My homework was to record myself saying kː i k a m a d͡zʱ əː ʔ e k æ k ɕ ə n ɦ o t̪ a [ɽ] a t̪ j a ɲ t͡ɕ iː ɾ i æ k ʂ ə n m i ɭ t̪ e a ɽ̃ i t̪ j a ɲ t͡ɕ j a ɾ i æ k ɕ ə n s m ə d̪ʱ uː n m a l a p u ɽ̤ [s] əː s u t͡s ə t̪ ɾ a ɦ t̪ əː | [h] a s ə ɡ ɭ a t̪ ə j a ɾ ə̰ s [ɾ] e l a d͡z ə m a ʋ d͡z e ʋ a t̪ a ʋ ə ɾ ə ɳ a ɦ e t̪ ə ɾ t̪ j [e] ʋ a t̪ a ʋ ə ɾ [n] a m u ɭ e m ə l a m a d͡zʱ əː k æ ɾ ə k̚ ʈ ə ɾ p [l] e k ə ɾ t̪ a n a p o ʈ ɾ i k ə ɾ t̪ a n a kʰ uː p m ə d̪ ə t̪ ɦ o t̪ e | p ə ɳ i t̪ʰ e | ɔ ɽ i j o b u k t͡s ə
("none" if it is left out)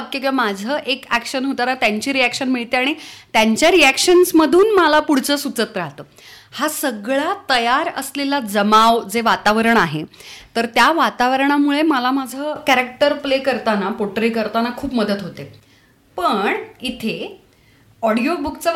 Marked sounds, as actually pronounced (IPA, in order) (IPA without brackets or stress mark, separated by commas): ɾ, t͡s, h, l, a, ɳ, l